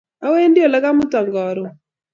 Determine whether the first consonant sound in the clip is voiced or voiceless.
voiced